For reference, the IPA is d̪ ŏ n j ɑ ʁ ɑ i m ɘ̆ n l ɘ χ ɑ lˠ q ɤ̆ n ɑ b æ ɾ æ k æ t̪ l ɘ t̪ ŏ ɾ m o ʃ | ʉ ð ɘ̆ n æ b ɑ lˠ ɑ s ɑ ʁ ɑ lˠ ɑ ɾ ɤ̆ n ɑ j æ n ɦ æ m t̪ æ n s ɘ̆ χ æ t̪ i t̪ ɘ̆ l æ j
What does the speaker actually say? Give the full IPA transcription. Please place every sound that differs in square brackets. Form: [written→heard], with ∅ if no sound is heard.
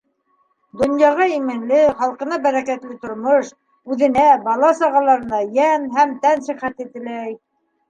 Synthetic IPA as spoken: d̪ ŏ n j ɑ ʁ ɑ i m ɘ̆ n l ɘ χ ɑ lˠ q ɤ̆ n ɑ b æ ɾ æ k æ t̪ l ɘ t̪ ŏ ɾ m o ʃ | ʉ ð ɘ̆ n æ b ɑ lˠ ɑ s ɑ ʁ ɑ lˠ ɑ ɾ ɤ̆ n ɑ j æ n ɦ æ m t̪ æ n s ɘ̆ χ æ t̪ i t̪ ɘ̆ l æ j